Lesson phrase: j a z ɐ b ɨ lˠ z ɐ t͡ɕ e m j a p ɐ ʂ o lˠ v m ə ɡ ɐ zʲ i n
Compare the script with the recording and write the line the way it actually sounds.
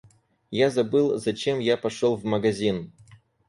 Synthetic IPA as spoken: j a z ɐ b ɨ lˠ z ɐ t͡ɕ e m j a p ɐ ʂ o lˠ v m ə ɡ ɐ zʲ i n